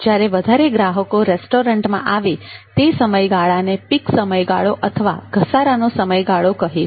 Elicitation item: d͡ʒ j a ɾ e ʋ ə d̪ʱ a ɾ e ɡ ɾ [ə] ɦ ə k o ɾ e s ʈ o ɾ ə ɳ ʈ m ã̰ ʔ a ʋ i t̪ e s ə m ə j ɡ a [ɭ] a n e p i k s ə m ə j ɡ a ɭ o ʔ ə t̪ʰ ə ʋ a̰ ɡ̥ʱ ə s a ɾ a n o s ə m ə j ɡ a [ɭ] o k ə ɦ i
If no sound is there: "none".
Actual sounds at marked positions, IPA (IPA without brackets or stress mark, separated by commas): a, ɭ, ɭ